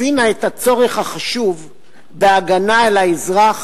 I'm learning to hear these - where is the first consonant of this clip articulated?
tongue tip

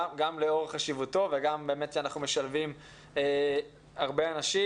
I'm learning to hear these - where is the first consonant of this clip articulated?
velum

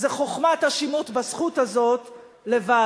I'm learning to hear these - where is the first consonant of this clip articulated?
tongue tip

